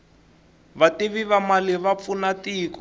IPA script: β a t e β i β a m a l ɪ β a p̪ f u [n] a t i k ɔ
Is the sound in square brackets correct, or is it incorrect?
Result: correct